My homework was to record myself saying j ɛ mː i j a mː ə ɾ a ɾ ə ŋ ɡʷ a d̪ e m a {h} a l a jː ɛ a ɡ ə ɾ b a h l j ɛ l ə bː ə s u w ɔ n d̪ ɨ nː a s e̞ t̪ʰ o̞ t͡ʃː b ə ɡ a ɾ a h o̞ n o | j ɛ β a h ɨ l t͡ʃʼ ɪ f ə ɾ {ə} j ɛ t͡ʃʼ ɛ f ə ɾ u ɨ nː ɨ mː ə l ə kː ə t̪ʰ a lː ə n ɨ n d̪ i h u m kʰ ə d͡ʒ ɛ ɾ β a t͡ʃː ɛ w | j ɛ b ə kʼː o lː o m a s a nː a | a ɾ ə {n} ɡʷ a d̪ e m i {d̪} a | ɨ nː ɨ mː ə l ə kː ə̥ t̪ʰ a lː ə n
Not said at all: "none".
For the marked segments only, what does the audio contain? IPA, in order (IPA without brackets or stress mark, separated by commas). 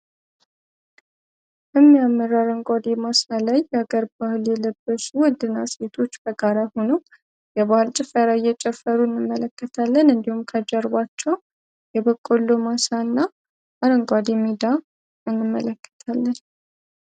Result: s, a, ŋ, d̪